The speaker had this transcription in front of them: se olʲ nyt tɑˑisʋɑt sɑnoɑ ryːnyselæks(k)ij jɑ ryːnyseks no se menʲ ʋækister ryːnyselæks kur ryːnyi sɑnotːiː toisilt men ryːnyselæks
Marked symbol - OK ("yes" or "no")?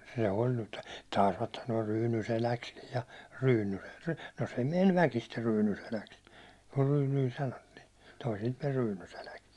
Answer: yes